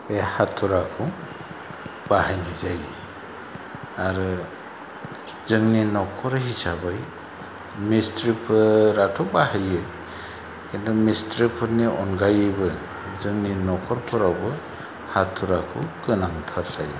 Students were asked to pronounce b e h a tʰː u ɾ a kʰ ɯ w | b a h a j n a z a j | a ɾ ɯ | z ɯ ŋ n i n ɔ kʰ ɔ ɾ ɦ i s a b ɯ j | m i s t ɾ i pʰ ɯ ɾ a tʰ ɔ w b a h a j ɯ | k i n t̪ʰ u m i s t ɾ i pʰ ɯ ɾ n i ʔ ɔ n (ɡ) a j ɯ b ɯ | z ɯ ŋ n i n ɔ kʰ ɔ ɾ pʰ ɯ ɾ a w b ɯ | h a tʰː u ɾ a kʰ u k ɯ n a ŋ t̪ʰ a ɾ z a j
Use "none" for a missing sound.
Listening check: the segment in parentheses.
ɡ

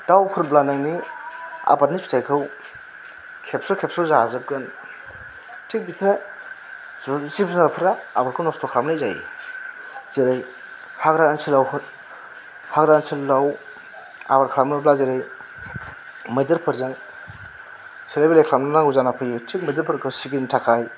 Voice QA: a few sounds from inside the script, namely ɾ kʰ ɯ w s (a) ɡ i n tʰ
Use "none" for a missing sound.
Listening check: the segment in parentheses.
i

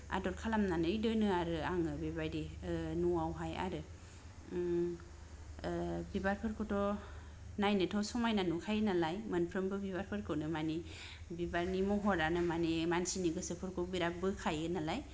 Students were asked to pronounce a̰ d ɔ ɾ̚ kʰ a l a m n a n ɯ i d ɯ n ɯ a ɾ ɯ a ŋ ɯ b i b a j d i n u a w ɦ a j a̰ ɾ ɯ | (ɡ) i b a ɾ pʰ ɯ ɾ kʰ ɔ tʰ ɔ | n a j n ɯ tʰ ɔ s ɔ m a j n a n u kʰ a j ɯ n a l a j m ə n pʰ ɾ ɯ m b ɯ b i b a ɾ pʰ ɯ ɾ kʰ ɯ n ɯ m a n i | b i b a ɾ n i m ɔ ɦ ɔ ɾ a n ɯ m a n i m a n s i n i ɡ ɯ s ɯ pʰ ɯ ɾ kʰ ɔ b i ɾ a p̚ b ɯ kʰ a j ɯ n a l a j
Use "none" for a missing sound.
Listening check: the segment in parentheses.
b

